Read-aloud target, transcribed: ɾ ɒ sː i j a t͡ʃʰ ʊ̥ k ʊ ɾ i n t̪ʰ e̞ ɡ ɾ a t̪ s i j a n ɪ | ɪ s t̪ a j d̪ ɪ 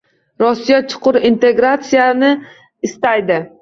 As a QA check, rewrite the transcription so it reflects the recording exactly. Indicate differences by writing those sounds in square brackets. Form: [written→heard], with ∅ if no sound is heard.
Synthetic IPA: ɾ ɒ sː i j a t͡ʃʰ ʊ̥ [k→q] ʊ ɾ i n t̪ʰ e̞ ɡ ɾ a t̪ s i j a n ɪ | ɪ s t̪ a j d̪ ɪ